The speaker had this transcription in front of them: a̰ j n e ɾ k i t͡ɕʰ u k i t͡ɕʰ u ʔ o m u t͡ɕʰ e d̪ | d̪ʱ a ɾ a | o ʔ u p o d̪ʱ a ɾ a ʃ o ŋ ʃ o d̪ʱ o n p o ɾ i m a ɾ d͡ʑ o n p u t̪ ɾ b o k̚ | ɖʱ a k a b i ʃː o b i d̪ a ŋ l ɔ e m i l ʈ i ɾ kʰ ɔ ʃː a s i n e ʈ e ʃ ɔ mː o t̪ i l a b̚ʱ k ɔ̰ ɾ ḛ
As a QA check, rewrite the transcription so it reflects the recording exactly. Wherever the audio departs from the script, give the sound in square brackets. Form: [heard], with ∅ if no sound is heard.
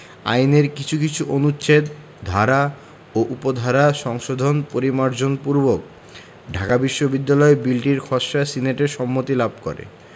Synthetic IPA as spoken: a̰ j n e ɾ k i t͡ɕʰ u k i t͡ɕʰ u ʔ o [n] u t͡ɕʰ e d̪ | d̪ʱ a ɾ a | o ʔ u p o d̪ʱ a ɾ a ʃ [ɔ] ŋ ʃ o d̪ʱ o n p o ɾ i m a ɾ d͡ʑ o n p u [∅] ɾ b o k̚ | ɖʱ a k a b i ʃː o b i [d̪ː] a [∅] l ɔ e [b] i l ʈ i ɾ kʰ ɔ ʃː a s i n e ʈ e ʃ ɔ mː o t̪ i l a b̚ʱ k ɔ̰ ɾ ḛ